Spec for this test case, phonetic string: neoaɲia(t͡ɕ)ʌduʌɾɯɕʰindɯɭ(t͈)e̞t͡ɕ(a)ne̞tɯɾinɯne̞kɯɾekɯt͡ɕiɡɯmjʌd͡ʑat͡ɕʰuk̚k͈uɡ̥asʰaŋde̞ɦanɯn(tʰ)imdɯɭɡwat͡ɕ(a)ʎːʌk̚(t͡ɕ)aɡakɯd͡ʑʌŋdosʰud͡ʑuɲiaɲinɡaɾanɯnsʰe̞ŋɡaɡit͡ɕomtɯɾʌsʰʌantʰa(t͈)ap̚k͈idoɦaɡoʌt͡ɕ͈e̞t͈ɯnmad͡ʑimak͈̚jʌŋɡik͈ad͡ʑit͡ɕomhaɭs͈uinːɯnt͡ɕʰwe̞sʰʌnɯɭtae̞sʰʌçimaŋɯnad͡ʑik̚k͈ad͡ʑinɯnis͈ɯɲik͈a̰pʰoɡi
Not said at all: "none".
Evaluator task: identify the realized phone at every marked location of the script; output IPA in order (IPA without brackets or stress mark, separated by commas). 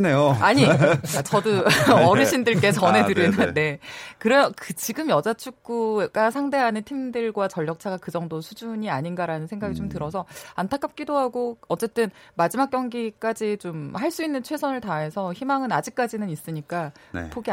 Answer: t͡ɕ, k͈, ʌ, tʰ, ʌ, t͡ɕʰ, k͈